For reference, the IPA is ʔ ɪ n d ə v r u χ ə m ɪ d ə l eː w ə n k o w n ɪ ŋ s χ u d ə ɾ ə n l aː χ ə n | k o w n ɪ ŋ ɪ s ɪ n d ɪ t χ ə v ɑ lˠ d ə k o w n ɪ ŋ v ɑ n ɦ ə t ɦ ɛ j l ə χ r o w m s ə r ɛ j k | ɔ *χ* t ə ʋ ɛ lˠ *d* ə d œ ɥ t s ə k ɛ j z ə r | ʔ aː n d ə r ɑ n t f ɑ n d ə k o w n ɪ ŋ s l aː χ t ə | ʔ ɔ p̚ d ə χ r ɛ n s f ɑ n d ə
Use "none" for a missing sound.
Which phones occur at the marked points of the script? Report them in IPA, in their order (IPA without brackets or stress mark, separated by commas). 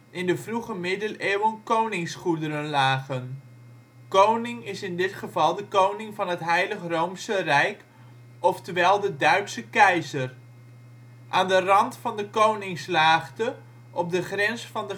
f, d